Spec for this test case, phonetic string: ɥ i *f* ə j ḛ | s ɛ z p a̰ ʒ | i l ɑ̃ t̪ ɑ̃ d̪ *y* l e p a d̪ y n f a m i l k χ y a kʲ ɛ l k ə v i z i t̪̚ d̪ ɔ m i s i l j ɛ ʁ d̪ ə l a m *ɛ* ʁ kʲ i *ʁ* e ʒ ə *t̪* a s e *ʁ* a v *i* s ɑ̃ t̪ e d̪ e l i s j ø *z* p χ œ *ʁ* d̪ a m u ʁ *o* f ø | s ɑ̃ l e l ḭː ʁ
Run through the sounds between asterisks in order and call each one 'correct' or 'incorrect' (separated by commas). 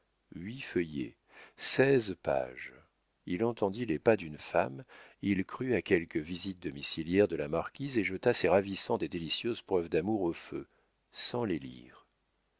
correct, incorrect, incorrect, incorrect, correct, correct, correct, correct, incorrect, correct